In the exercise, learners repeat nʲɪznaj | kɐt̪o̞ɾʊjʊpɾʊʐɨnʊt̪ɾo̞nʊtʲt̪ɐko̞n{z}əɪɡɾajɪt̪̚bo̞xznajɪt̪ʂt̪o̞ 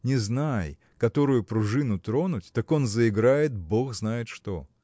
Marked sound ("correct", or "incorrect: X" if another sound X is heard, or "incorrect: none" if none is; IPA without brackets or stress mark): correct